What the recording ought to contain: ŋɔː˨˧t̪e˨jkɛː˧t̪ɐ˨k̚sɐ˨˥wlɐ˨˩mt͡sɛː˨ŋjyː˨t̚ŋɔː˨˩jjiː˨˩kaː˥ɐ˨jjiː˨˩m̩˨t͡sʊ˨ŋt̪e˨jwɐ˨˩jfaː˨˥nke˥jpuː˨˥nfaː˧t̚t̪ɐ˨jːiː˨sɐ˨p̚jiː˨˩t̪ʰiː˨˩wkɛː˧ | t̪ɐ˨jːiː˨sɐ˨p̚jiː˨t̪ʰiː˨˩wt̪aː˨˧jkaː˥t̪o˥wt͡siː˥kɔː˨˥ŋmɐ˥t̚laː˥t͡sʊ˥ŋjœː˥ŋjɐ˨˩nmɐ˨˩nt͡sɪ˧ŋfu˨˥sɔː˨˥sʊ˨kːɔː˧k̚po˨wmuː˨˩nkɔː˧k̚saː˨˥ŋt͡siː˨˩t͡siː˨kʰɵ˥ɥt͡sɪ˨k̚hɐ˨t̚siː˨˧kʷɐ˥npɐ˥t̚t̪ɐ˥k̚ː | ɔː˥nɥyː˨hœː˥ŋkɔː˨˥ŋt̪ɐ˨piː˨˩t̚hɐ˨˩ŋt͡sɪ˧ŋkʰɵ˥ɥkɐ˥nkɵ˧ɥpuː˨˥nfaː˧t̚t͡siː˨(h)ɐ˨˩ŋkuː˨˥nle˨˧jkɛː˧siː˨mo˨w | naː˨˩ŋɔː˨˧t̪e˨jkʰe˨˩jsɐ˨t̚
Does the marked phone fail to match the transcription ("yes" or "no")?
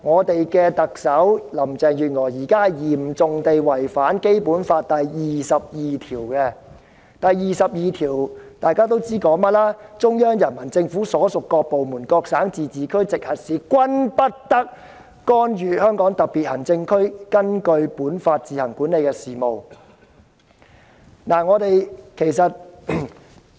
no